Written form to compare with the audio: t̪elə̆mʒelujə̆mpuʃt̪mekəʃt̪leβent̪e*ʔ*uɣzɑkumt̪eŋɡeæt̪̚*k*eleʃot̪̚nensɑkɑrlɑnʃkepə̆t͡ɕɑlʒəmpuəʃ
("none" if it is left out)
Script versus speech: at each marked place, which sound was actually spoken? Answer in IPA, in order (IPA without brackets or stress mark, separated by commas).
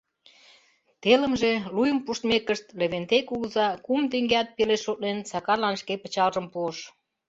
k, p